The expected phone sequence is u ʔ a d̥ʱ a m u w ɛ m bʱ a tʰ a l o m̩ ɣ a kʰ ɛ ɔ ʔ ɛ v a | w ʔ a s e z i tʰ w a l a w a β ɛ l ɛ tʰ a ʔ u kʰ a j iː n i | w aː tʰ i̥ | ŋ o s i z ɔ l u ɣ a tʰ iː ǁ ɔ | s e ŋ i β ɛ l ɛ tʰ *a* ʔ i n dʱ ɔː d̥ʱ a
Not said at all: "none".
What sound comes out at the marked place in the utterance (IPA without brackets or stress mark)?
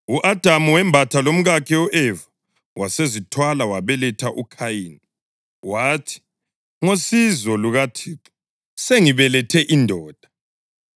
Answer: ɛ